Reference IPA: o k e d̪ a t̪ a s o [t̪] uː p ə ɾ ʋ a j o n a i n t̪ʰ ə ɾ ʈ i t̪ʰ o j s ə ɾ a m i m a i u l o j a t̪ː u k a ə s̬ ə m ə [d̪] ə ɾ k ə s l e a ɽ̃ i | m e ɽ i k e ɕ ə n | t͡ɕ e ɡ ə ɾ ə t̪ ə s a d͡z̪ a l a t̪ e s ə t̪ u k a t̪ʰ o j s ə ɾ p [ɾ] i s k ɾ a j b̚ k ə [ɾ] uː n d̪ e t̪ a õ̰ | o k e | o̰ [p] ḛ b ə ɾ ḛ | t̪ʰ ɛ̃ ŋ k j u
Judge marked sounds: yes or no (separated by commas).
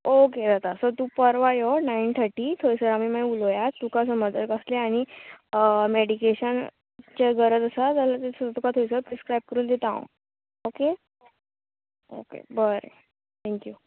yes, yes, yes, yes, no